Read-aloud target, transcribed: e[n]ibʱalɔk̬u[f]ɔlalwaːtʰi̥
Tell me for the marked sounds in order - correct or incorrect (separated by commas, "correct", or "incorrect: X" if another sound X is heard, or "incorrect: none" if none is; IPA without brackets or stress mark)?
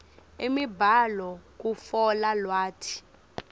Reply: incorrect: m, correct